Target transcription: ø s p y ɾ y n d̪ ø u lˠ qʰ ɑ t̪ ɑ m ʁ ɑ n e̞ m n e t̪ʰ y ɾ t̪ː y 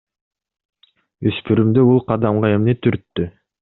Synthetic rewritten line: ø s p y ɾ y m d̪ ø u lˠ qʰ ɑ d̪ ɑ m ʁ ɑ e̞ m n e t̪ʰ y ɾ t̪ː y